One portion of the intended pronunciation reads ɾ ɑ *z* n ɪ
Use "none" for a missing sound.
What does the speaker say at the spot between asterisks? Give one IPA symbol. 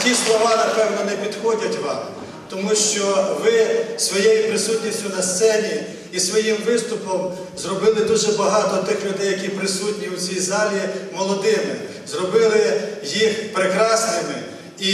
s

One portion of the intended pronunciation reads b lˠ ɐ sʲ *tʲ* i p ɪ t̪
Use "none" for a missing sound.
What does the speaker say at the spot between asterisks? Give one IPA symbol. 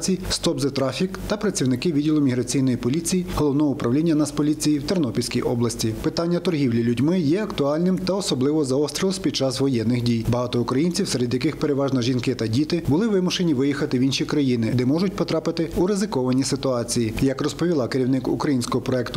tʲ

